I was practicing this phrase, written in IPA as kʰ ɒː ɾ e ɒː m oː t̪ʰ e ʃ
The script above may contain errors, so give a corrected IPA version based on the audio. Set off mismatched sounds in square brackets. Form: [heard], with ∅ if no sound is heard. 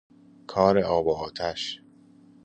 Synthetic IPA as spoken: kʰ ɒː ɾ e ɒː [b] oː t̪ʰ [æ] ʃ